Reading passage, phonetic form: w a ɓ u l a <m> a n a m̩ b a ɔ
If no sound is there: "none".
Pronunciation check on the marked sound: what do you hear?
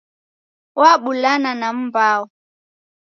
n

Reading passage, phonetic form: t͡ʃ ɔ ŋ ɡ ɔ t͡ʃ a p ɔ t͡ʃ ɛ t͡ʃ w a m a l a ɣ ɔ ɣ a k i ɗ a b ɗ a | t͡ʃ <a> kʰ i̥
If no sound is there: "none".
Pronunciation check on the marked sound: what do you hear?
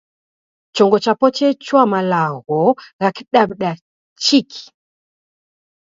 i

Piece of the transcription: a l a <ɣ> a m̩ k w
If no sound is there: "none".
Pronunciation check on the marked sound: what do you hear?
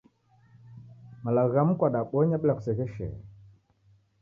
ɣ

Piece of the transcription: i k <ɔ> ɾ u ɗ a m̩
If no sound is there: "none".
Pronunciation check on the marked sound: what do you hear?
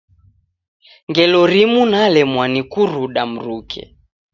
u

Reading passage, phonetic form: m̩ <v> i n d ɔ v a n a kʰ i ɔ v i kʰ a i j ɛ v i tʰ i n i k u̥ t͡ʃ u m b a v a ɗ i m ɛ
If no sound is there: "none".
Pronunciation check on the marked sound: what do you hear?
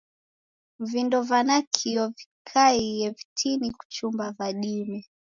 v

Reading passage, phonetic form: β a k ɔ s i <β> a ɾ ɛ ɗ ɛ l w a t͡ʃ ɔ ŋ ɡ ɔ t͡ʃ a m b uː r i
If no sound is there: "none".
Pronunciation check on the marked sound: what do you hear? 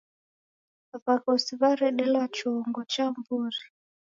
β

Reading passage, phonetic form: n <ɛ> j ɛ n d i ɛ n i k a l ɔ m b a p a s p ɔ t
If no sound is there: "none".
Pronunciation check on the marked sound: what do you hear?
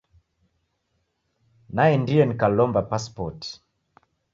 a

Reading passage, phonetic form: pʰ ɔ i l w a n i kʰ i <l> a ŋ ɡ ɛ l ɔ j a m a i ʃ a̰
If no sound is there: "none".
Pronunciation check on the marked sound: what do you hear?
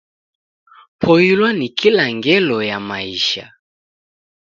l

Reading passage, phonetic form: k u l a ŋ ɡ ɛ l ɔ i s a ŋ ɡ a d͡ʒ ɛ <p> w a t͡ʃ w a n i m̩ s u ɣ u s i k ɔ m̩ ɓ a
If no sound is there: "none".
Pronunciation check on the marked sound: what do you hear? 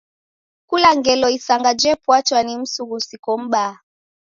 p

